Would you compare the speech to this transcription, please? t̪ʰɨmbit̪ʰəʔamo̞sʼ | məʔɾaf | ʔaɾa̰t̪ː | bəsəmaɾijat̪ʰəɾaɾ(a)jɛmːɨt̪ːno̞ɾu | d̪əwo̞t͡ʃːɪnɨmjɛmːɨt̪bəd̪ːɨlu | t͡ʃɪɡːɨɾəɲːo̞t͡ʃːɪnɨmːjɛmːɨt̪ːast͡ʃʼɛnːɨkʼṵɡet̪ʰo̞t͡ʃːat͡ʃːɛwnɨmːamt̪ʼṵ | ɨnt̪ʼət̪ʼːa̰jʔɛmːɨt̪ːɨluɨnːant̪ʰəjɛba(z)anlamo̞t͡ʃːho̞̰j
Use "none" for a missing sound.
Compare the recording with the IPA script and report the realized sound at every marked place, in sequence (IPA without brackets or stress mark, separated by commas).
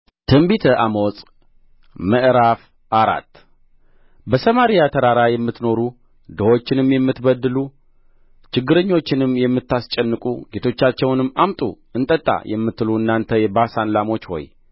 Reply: a, s